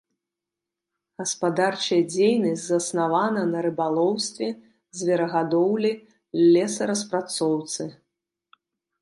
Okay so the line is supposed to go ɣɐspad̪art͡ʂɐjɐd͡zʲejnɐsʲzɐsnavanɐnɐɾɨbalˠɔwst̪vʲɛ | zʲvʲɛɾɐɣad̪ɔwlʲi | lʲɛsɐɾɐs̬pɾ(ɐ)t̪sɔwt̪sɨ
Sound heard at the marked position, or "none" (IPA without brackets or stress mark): a